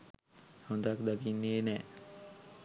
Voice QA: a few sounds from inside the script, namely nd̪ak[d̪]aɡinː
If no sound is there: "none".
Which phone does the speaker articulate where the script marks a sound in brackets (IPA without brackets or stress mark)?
d̪